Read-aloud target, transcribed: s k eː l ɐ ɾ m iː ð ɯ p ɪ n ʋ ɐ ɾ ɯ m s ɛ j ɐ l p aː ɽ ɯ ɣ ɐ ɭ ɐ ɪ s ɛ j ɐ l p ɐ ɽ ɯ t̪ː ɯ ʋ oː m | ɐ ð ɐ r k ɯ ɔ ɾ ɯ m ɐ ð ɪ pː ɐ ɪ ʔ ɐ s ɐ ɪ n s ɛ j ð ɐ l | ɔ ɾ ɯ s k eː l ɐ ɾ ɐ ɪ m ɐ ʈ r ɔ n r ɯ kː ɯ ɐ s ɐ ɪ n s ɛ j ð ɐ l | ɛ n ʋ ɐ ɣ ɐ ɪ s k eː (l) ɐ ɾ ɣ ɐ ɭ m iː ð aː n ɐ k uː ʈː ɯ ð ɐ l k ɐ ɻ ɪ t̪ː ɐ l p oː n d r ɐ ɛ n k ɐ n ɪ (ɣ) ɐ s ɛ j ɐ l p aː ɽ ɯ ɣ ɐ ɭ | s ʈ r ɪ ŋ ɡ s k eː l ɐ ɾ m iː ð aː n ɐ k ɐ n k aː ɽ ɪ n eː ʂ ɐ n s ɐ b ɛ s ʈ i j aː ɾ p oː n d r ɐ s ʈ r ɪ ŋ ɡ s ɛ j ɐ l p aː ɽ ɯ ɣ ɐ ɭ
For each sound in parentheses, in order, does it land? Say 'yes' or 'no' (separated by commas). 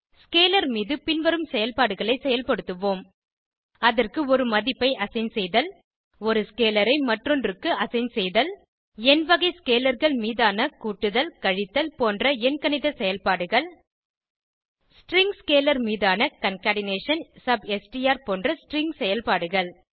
yes, no